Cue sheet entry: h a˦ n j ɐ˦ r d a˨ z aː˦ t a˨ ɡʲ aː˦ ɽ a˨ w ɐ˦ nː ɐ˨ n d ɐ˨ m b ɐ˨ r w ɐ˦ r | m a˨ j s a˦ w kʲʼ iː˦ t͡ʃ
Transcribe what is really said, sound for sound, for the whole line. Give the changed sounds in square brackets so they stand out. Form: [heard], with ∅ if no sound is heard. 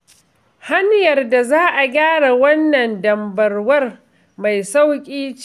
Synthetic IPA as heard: h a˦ n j [ɐ˨] r d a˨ z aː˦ [ʔ] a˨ ɡʲ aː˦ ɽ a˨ w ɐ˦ nː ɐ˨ n d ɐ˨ m b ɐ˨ r w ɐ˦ r | m a˨ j s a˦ w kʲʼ iː˦ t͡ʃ